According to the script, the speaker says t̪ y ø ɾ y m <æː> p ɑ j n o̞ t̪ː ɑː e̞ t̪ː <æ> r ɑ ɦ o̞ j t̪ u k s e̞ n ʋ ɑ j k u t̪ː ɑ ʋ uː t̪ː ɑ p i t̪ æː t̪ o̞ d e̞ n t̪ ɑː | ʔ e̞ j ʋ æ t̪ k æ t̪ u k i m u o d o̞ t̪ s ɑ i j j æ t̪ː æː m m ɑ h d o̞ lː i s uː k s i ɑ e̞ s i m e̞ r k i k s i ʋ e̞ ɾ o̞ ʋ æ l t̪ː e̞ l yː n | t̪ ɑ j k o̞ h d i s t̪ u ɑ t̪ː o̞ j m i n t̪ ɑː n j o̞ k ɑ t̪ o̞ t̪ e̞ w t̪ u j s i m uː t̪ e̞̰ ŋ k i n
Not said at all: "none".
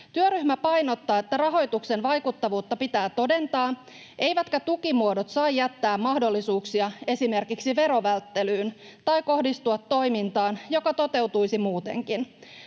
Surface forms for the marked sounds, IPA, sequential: æ, æ

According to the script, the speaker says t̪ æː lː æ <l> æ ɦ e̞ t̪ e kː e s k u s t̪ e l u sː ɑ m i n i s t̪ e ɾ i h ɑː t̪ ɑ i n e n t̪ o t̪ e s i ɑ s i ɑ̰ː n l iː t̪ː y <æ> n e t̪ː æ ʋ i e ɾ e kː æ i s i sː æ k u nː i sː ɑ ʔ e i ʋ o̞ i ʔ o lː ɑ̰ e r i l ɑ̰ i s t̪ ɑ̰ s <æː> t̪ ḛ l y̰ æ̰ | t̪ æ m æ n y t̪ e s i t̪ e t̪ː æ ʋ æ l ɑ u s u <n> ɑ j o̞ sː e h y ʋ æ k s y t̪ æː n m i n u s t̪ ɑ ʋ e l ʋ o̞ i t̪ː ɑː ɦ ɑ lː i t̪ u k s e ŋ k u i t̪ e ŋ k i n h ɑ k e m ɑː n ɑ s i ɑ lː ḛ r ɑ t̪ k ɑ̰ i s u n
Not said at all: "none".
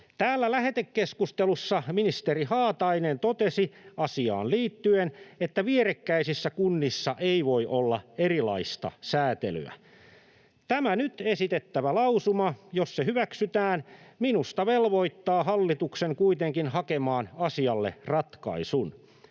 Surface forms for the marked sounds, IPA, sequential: l, e, æː, m

